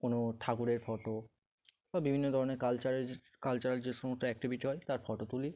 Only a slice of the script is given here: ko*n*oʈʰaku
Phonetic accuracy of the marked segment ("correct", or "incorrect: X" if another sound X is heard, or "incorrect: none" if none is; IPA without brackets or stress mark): correct